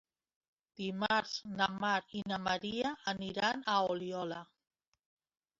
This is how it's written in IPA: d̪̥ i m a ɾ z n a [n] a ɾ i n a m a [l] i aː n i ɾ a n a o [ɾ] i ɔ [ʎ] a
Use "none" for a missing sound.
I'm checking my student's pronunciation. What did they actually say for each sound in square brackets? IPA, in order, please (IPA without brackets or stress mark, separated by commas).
m, ɾ, l, l